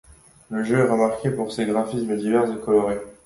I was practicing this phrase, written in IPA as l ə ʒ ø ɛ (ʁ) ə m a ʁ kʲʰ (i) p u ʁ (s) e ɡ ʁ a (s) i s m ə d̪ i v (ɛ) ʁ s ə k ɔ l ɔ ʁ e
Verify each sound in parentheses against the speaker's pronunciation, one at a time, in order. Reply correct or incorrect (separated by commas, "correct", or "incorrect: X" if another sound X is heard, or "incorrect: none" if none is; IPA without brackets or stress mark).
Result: correct, incorrect: e, correct, incorrect: f, correct